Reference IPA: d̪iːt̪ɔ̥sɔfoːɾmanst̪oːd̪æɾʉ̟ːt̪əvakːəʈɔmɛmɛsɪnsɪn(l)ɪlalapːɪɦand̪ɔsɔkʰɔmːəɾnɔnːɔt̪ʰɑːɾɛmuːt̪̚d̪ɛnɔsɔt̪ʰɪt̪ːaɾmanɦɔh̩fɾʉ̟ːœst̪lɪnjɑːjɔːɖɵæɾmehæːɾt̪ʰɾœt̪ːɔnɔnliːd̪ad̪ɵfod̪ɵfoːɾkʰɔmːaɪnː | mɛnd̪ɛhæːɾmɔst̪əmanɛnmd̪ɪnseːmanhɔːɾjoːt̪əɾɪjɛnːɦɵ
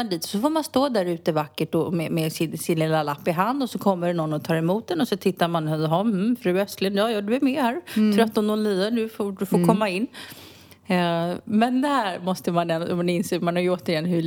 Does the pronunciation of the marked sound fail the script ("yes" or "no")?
no